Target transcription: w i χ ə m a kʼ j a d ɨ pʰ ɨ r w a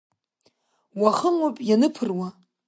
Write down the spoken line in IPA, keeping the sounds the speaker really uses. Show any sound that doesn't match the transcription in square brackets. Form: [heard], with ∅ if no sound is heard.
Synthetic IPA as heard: w [a] χ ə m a [pʼ] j a [n] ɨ pʰ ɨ r w a